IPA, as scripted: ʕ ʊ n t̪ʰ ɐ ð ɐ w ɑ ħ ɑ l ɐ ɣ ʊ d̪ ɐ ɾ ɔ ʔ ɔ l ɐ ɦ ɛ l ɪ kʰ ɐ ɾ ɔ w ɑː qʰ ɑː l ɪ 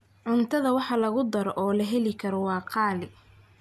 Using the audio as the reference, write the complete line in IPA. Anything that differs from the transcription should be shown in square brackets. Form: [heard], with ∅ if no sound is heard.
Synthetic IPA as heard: ʕ ʊ n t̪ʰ ɐ ð ɐ w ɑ ħ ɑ l ɐ ɣ ʊ d̪ ɐ ɾ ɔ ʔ [ɔː] l ɐ ɦ ɛ l ɪ kʰ ɐ ɾ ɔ w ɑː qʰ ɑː l ɪ